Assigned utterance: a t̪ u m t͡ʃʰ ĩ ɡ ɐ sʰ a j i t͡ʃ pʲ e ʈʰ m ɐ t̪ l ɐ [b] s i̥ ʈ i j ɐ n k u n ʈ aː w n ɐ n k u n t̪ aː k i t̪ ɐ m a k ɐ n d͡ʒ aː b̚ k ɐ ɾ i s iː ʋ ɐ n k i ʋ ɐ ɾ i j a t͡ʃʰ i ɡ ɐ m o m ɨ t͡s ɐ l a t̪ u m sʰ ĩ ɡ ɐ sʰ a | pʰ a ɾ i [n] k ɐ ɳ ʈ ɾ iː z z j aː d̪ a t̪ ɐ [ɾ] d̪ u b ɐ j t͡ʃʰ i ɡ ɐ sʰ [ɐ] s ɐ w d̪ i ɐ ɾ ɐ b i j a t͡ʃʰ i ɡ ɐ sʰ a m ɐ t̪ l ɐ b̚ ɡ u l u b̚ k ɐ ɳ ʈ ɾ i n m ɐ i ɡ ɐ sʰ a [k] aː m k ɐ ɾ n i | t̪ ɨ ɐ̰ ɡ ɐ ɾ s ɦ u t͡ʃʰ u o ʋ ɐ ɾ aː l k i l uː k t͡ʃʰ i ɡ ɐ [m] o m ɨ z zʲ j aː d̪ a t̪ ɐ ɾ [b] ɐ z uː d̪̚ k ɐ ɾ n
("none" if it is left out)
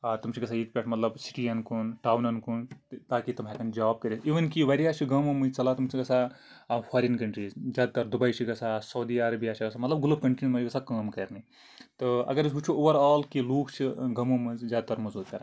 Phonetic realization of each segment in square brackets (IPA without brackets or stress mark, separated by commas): b, n, ɾ, a, k, m, m